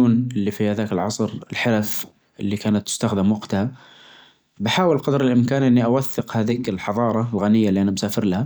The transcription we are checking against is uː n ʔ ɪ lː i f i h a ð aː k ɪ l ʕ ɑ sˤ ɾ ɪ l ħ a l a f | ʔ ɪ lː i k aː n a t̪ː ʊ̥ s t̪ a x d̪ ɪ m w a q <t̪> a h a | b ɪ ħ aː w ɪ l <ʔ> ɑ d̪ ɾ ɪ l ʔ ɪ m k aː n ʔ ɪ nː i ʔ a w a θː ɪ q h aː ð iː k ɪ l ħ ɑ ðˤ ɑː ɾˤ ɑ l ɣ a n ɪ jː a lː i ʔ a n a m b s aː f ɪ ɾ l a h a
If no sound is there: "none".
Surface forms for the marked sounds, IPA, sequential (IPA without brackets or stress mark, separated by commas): t̪, q